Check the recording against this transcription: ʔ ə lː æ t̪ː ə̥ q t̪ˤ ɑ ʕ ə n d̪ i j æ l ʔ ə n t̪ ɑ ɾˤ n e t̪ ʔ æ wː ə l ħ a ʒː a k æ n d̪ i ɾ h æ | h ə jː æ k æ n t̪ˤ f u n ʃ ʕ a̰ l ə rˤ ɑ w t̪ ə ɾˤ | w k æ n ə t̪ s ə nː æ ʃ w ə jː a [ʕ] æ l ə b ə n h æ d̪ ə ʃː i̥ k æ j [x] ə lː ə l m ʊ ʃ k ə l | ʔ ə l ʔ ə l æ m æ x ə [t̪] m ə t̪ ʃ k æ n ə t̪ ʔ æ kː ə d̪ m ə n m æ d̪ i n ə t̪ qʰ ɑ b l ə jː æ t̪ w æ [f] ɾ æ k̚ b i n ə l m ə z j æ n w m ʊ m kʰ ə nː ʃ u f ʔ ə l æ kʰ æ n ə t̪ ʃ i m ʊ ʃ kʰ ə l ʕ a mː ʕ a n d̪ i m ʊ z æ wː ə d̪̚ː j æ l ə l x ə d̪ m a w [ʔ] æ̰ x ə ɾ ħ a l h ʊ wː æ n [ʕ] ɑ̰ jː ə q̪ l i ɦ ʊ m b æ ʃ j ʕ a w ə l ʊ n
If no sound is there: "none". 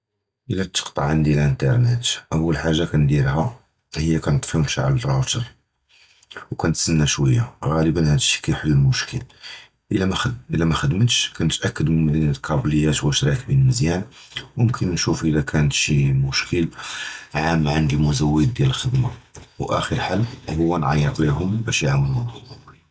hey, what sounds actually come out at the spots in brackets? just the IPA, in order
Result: ɣ, ħ, d̪, ʃ, ʔ, ʕ

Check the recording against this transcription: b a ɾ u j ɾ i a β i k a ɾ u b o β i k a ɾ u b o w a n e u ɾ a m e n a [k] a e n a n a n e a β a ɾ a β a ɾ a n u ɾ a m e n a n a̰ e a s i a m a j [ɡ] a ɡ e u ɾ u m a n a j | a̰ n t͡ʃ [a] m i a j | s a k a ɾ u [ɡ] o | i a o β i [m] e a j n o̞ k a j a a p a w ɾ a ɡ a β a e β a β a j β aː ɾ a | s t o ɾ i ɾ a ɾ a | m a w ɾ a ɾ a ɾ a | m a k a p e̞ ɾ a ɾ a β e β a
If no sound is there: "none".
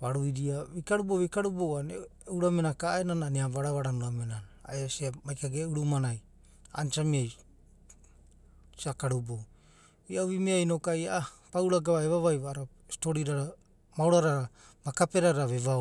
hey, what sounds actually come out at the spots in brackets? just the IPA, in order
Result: k, k, a, b, m

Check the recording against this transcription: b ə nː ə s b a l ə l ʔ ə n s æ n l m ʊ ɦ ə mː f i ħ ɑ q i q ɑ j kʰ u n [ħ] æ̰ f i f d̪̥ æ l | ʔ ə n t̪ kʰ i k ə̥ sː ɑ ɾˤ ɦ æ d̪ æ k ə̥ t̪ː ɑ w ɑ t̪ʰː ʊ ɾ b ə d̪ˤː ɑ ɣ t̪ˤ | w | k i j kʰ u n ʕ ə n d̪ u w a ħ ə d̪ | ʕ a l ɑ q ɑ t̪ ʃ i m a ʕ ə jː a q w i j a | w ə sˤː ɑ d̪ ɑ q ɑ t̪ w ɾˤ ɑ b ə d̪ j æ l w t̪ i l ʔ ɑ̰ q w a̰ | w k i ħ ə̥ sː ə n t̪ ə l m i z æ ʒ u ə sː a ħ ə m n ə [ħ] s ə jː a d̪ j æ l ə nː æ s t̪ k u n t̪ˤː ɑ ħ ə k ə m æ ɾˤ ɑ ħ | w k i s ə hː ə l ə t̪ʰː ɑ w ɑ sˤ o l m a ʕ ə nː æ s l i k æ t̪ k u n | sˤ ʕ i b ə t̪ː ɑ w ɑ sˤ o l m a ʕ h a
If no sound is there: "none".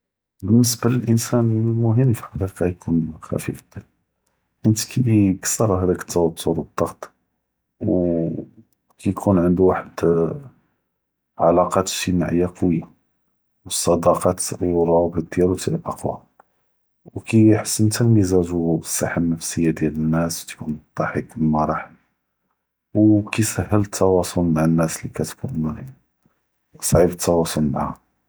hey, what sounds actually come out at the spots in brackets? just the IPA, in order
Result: x, f

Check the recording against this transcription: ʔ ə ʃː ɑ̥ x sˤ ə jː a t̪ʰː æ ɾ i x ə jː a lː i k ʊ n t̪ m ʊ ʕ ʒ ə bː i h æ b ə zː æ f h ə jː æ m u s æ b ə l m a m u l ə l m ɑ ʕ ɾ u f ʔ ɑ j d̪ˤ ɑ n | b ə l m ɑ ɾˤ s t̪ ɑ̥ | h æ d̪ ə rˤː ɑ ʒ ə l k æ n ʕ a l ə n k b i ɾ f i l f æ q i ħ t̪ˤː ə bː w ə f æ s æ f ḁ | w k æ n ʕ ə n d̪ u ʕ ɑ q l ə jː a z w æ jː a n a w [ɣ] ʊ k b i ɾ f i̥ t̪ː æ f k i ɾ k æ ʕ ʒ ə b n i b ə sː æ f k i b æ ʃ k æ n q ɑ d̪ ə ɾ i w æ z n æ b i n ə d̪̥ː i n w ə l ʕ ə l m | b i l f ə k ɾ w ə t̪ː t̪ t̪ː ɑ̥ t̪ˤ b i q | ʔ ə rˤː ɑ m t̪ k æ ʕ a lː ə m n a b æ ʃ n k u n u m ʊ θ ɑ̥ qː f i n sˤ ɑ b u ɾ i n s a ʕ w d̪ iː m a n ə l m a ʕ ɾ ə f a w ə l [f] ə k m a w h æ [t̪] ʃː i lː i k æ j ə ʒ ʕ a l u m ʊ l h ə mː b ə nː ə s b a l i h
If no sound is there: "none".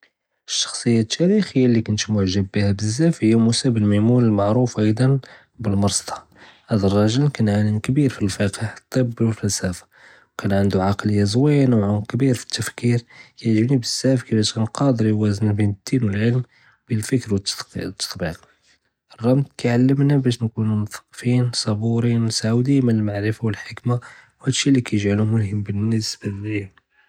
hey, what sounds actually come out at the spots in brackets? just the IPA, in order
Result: ʕ, ħ, d̪

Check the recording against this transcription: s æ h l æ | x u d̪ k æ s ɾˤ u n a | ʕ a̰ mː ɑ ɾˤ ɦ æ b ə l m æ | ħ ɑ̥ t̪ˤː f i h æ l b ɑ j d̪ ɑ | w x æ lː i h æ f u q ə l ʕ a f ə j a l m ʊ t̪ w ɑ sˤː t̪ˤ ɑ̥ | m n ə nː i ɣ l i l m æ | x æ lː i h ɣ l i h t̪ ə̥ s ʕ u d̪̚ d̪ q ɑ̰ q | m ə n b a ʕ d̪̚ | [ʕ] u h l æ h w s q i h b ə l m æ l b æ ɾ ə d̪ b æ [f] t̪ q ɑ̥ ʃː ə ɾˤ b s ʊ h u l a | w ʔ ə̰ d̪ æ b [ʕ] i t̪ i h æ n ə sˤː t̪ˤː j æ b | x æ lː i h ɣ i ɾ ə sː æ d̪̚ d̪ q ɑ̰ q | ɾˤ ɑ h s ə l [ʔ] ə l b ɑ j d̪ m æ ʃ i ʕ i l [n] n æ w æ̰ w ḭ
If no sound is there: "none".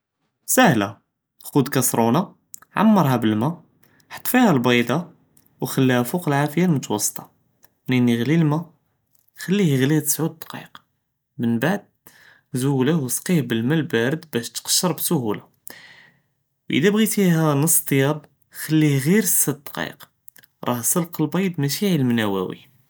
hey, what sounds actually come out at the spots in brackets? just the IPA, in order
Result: z, ʃ, ɣ, q, m

